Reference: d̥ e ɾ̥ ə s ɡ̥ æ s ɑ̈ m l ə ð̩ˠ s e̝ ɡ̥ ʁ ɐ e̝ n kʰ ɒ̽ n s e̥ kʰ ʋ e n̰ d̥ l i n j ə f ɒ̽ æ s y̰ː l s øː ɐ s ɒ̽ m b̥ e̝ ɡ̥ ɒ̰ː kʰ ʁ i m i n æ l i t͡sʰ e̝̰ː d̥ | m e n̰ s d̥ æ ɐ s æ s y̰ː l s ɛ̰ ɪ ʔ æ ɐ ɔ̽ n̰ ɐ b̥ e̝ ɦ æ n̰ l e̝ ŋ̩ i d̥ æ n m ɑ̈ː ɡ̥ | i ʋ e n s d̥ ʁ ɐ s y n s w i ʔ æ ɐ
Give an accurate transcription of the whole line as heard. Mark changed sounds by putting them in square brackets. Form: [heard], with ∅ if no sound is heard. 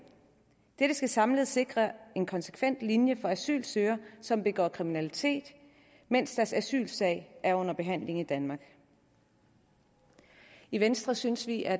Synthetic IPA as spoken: d̥ e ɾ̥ ə s ɡ̥ æ s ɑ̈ m l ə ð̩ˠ s e̝ ɡ̥ ʁ ɐ e̝ n kʰ ɒ̽ n s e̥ kʰ ʋ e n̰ d̥ l i n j ə f ɒ̽ æ s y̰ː l s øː ɐ s ɒ̽ m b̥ e̝ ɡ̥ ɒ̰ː kʰ ʁ i m i n æ l i t͡sʰ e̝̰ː d̥ | m e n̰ s d̥ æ ɐ s æ s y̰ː l s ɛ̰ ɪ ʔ æ ɐ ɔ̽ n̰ ɐ b̥ e̝ ɦ æ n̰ l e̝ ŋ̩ i d̥ æ n m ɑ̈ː ɡ̥ | i ʋ e n s d̥ ʁ ɐ s y n s [ʋ] i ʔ æ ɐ

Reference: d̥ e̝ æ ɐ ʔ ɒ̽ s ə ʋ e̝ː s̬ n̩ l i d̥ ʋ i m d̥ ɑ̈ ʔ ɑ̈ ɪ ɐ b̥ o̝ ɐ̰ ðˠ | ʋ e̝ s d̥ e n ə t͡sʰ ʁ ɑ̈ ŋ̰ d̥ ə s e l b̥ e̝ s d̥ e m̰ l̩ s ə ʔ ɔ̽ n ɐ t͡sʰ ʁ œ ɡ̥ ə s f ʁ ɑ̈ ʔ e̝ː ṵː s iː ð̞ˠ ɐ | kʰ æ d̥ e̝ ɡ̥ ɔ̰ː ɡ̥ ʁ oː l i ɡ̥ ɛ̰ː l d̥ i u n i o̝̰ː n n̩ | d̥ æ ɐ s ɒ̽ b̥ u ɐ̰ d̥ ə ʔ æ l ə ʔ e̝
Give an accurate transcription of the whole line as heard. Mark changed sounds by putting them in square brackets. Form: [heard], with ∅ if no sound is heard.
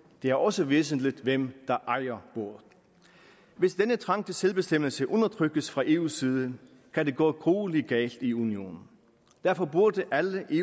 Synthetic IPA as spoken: d̥ e̝ æ ɐ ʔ ɒ̽ s ə ʋ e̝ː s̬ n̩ l i d̥ ʋ [e] m d̥ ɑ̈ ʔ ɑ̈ ɪ ɐ b̥ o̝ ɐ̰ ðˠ | ʋ e̝ s d̥ e n ə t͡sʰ ʁ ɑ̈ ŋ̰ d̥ ə s e l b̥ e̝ s d̥ e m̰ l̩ s ə ʔ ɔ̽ n ɐ t͡sʰ ʁ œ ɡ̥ ə s f ʁ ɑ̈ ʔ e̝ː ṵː s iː ð̞ˠ [ə] | kʰ æ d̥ e̝ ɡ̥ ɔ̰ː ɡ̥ ʁ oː l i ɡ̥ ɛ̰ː l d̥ i u n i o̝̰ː n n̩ | d̥ æ ɐ [f] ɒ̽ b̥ u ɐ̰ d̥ ə ʔ æ l ə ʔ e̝

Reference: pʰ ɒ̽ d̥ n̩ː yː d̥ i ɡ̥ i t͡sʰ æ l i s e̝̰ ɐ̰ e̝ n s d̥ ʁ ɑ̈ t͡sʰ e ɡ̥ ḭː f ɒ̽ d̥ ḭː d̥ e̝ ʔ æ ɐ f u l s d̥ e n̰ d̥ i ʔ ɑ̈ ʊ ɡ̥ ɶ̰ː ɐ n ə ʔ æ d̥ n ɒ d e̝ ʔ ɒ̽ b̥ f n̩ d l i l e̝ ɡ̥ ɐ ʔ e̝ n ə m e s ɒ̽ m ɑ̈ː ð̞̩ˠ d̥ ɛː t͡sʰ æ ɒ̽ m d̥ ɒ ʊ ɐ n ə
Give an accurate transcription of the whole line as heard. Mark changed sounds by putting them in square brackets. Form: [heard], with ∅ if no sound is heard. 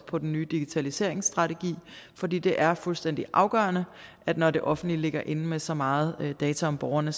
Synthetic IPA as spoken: pʰ ɒ̽ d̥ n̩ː yː d̥ i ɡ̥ i t͡sʰ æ l i s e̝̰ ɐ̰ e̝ [ŋ] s d̥ ʁ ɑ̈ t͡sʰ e ɡ̥ ḭː f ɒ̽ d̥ ḭː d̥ e̝ ʔ æ ɐ f u l s d̥ e n̰ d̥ i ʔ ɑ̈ ʊ ɡ̥ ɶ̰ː ɐ n ə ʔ æ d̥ n ɒ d e̝ ʔ ɒ̽ [∅] f n̩ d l i l e̝ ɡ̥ ɐ ʔ e̝ n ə m e s ɒ̽ m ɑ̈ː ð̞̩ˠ d̥ ɛː t͡sʰ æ ɒ̽ m [b̥] ɒ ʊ ɐ n ə

